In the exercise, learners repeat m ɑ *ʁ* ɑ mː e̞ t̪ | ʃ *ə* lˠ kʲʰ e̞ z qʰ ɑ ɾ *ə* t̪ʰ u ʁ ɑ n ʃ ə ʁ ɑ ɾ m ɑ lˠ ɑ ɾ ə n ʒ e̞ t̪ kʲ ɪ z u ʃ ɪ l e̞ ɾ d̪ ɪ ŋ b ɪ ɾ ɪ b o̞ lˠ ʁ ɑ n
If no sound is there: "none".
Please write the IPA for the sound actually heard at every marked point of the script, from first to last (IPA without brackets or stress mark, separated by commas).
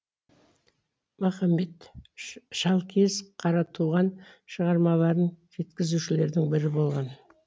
χ, ɑ, ɑ